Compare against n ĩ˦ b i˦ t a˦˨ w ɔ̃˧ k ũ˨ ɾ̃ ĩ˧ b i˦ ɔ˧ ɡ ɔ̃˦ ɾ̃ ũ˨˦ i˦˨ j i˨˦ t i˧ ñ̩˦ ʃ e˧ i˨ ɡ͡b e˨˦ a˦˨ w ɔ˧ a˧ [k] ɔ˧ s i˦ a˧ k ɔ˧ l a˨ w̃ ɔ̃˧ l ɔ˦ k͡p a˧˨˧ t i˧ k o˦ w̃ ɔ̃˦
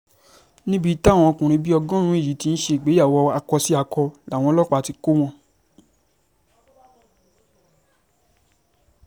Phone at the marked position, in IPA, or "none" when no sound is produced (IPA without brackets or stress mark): k